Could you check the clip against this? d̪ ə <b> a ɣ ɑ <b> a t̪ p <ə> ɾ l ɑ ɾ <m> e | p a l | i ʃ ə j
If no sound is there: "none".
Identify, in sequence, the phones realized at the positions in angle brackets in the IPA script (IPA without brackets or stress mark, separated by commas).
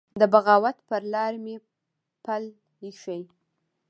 b, w, ə, m